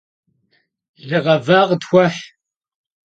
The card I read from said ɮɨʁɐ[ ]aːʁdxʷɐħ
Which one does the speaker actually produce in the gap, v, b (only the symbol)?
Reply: v